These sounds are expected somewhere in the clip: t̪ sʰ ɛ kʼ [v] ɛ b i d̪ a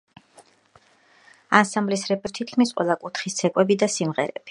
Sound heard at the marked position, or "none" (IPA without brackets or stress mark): w